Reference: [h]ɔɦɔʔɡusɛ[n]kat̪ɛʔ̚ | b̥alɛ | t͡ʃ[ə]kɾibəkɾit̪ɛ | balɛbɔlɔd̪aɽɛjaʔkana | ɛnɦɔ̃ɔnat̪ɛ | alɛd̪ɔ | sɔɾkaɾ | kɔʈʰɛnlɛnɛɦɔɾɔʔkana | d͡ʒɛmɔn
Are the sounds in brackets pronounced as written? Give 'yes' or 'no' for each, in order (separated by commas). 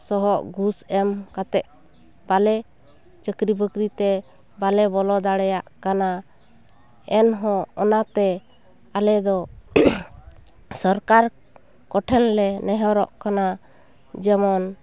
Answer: no, no, yes